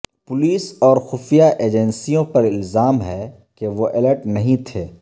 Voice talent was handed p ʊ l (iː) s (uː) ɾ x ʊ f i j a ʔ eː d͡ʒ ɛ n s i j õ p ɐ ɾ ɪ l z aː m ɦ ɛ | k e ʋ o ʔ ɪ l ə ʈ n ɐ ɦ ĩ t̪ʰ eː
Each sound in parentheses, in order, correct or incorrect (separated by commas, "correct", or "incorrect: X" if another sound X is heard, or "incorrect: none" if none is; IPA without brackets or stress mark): correct, incorrect: ɔː